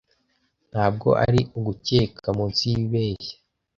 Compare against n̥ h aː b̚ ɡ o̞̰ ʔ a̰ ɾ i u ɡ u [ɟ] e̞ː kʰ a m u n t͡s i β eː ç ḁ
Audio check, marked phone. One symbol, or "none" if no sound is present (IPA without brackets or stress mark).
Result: c